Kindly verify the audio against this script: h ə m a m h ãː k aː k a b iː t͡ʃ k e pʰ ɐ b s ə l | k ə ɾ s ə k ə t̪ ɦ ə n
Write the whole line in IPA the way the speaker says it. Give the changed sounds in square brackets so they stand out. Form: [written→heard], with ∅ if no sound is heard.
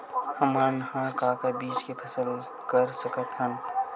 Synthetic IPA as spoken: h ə m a [m→n] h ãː k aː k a b iː t͡ʃ k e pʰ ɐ [b→∅] s ə l | k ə ɾ s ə k ə t̪ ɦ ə n